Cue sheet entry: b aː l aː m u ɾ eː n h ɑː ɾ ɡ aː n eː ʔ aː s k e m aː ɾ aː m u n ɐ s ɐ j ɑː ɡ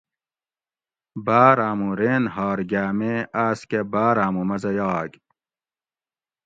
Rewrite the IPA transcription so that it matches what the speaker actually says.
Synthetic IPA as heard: b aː ɾ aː m u ɾ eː n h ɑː ɾ ɡ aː m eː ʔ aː s k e b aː ɾ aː m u m ɐ z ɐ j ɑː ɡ